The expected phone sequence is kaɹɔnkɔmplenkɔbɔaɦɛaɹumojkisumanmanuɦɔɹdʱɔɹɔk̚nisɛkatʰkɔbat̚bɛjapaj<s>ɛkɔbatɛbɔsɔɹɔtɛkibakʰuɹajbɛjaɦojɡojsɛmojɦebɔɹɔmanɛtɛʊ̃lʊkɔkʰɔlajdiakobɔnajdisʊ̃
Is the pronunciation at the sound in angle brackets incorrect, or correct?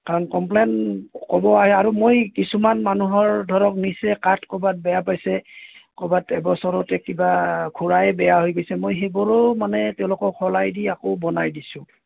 correct